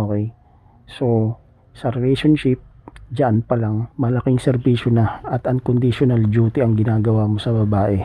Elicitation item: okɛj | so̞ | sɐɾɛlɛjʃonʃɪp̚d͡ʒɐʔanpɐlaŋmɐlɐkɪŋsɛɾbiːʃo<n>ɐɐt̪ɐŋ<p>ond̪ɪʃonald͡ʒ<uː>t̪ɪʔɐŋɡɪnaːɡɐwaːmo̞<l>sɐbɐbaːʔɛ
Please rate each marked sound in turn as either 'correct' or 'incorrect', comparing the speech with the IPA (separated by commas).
correct, incorrect, correct, incorrect